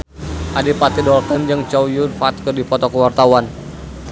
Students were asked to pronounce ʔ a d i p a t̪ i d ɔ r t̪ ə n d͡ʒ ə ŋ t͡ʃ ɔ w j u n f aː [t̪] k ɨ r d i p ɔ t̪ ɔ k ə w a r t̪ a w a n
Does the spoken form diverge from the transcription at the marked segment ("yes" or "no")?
no